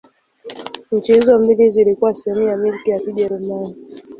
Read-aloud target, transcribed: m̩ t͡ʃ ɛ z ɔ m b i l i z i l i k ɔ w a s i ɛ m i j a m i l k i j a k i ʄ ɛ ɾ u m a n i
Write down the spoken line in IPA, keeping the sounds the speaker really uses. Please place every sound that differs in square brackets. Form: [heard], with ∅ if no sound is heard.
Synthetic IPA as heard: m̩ t͡ʃ ɛ z ɔ m b i l i z i l i k [u] w a s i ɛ m i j a m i l k i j a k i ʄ ɛ ɾ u m a n i

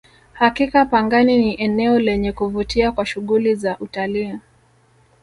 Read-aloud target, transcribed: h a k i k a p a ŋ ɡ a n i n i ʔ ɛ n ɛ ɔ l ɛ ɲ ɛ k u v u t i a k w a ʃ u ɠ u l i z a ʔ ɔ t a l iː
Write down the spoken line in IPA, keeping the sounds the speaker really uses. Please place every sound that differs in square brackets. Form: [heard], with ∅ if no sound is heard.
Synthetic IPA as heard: h a k i k a p a ŋ ɡ a n i n i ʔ ɛ n ɛ ɔ l ɛ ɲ ɛ k u v u t i a k w a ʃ u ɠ u l i z a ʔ [u] t a l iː

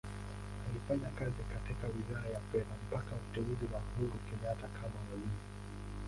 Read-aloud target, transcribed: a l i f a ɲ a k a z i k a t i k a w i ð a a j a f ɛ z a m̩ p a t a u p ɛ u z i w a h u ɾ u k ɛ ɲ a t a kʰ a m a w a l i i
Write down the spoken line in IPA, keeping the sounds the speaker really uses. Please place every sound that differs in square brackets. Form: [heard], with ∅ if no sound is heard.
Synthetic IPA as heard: a l i f a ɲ a k a z i k a t i k a w i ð a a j a f ɛ [ð] a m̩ p a [k] a u [t] ɛ u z i w a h u ɾ u k ɛ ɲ a t a kʰ a m a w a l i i

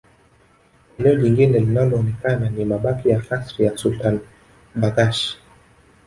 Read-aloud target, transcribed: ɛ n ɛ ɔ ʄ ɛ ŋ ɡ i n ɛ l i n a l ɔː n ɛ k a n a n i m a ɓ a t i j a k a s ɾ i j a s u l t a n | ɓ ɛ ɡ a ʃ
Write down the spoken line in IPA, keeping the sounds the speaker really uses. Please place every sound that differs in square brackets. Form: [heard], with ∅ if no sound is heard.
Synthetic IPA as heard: ɛ n ɛ ɔ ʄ [i] ŋ ɡ i n ɛ l i n a l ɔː n ɛ k a n a n i m a ɓ a [k] i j a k a s ɾ i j a s u l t a n | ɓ [a] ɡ a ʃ

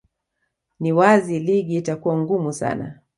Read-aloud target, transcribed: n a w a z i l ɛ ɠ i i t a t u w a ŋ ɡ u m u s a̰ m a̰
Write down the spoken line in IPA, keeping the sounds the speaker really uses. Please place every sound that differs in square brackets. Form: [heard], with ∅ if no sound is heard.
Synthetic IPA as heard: n [i] w a z i l [i] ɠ i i t a [k] u w a ŋ ɡ u m u s a̰ [n] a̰

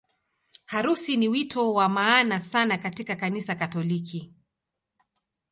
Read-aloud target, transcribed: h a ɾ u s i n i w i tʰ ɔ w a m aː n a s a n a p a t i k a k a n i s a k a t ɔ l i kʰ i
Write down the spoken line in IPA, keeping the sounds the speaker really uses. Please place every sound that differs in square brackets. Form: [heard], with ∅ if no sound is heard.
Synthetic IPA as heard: h a ɾ u s i n i w i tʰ ɔ w a m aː n a s a n a [k] a t i k a k a n i s a k a t ɔ l i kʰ i

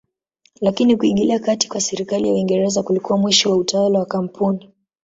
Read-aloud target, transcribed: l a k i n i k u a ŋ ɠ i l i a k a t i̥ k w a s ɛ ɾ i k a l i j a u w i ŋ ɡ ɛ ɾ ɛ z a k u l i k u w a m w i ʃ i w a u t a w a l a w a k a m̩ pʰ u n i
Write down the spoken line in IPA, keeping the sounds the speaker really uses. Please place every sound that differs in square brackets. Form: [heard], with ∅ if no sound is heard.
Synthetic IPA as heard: l a k i n i k u [i] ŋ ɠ i l i a k a t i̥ k w a s ɛ ɾ i k a l i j a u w i ŋ ɡ ɛ ɾ ɛ z a k u l i k u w a m w i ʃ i w a u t a w a l a w a k a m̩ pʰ u n i

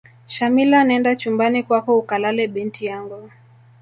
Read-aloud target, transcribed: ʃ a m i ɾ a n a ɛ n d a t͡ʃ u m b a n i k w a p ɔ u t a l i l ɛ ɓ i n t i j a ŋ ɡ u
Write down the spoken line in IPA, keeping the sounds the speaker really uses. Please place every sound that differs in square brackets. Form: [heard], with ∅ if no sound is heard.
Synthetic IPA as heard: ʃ a m i [l] a n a ɛ n d a t͡ʃ u m b a n i k w a [k] ɔ u [k] a l [a] l ɛ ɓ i n t i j a ŋ ɡ u

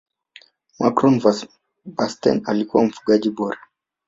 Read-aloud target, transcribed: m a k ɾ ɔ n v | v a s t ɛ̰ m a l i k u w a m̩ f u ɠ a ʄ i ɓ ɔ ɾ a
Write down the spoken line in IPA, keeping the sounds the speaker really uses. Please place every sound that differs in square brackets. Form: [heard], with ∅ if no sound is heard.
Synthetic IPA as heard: m a k ɾ ɔ n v | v a s t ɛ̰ [n] a l i k u w a m̩ f u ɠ a ʄ i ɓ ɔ ɾ a

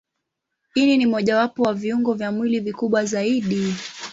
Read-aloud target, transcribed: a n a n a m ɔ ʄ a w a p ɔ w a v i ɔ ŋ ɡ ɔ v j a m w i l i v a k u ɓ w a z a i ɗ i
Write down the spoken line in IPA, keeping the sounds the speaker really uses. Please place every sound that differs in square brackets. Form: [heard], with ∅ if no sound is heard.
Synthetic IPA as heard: [i] n [i] n [i] m ɔ ʄ a w a p ɔ w a v i [u] ŋ ɡ ɔ v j a m w i l i v [i] k u ɓ w a z a i ɗ i

